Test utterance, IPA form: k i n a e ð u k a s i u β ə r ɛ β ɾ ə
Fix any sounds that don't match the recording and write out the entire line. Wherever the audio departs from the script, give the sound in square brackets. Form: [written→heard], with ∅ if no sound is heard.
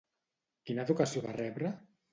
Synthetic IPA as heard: k i n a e ð u k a s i [u→o] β [ə→a] r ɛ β ɾ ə